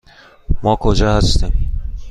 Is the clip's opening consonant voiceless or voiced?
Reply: voiced